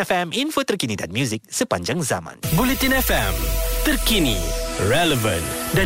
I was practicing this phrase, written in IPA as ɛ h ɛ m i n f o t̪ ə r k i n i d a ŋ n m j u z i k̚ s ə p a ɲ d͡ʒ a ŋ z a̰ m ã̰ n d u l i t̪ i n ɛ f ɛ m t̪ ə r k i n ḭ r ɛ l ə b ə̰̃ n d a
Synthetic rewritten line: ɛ f ɛ m i n f o t̪ ə r k i n i d a n m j u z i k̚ s ə p a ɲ d͡ʒ a ŋ z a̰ m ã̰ n b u l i t̪ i n ɛ f ɛ m t̪ ə r k i n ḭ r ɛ l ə v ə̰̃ n d a